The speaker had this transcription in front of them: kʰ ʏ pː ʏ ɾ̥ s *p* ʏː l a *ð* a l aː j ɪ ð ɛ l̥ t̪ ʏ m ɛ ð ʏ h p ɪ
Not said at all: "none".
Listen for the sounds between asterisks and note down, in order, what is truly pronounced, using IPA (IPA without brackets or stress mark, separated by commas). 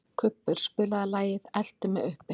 p, ð